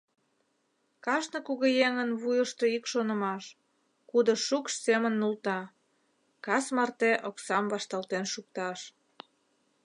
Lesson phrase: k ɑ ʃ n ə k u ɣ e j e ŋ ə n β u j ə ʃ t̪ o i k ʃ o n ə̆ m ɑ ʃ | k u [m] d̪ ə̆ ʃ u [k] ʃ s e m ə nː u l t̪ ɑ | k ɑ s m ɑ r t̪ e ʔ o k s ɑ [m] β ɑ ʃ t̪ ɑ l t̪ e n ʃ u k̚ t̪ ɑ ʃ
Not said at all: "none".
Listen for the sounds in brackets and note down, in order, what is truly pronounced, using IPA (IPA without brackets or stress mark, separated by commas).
none, k, m